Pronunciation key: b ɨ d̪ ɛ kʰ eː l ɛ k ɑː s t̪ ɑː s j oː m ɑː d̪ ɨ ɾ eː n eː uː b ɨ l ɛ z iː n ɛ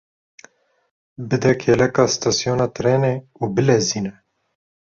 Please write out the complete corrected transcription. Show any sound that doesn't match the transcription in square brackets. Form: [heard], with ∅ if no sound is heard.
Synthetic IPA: b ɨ d̪ ɛ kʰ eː l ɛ k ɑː s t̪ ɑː s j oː [n] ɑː [t̪] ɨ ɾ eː n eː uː b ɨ l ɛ z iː n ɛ